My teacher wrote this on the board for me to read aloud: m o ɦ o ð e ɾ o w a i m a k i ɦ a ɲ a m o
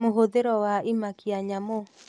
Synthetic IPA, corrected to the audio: m o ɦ o ð e ɾ ɔ w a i m a k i a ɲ a m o